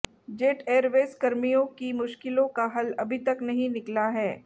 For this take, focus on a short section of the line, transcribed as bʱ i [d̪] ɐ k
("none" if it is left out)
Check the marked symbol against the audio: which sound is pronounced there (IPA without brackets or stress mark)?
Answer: t̪